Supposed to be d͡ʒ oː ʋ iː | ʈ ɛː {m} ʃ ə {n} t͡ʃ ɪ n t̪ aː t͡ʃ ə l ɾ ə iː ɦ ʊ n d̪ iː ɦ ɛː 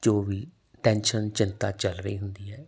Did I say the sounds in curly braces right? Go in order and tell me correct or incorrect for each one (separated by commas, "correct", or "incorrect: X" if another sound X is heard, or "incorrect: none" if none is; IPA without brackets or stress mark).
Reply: incorrect: n, correct